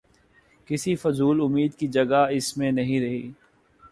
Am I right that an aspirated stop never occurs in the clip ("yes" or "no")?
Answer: yes